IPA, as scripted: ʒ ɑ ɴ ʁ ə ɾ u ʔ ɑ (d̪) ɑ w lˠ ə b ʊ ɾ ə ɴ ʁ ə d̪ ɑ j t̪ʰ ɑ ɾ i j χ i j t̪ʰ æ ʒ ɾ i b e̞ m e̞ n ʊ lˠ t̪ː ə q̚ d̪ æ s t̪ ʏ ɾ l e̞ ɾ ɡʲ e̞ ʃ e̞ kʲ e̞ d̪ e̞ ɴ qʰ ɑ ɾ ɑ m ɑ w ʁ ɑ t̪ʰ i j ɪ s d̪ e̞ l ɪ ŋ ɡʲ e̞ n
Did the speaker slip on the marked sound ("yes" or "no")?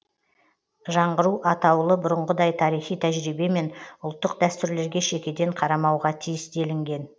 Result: yes